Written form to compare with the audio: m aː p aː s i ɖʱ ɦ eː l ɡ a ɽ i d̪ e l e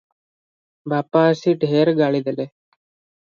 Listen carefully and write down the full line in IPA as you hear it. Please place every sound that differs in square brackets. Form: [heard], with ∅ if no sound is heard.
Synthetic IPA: [b] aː p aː s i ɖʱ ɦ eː [ɾ] ɡ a [ɭ] i d̪ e l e

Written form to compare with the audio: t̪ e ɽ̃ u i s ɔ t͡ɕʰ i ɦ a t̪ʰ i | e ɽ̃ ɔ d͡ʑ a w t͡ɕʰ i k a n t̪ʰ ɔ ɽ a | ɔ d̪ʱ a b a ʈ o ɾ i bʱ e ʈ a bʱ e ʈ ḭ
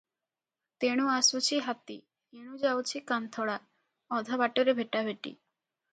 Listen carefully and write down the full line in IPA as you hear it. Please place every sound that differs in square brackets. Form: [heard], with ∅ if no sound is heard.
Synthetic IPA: t̪ e ɽ̃ u [a] s [u] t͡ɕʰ i ɦ a [t̪] i | e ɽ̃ [u] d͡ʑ a w t͡ɕʰ i k a n t̪ʰ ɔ ɽ a | ɔ d̪ʱ a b a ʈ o ɾ [e] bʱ e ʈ a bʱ e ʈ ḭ

